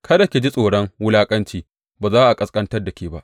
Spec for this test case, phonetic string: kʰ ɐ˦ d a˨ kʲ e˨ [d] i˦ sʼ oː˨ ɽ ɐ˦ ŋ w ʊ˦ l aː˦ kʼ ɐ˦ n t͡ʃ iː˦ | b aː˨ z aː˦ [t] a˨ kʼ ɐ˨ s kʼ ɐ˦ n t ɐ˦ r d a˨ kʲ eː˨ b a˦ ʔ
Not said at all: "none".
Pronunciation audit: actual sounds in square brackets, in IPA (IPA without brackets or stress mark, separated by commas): d͡ʒ, ʔ